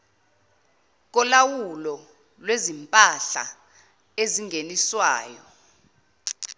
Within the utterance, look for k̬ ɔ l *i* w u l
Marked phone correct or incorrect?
incorrect